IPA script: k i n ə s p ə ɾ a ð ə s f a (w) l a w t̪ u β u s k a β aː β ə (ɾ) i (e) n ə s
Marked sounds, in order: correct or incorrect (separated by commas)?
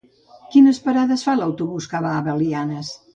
incorrect, incorrect, incorrect